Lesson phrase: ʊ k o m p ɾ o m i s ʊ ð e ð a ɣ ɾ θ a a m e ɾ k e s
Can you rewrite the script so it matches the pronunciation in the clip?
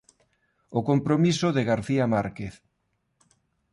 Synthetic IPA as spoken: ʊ k o m p ɾ o m i s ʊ ð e ɣ a ɾ θ i a m a ɾ k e θ